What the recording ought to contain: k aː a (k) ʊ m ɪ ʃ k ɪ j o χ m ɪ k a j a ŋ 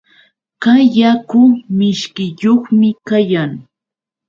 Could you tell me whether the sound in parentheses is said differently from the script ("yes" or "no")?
no